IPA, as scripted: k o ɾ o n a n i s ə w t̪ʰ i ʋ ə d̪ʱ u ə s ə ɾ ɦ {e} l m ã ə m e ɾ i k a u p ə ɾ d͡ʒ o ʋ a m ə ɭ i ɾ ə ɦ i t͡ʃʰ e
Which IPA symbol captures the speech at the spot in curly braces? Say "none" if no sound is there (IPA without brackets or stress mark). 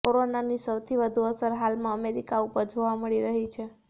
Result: a